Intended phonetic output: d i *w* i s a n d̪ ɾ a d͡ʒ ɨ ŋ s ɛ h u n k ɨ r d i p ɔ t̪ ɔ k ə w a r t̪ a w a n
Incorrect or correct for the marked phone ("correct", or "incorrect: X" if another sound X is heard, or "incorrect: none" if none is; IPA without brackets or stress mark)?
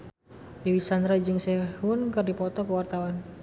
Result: correct